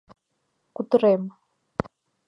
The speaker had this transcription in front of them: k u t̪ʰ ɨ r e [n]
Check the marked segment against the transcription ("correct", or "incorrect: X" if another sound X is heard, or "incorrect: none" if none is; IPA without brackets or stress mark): incorrect: m